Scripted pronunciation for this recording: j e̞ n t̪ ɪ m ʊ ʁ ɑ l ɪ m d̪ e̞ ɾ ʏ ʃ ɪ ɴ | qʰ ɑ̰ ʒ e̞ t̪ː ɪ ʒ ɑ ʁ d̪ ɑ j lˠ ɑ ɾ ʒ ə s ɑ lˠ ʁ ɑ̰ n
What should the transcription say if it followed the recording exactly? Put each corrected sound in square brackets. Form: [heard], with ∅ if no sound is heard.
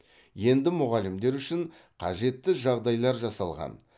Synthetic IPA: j e̞ n [d̪] ɪ m ʊ ʁ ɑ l ɪ m d̪ e̞ ɾ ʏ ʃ ɪ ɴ | qʰ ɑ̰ ʒ e̞ t̪ː ɪ ʒ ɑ ʁ d̪ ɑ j lˠ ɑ ɾ ʒ [ɑ] s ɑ lˠ ʁ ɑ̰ n